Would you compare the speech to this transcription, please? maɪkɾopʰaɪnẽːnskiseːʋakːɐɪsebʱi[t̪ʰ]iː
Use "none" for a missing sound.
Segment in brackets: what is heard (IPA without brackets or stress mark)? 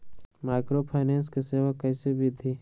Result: t̪ʰ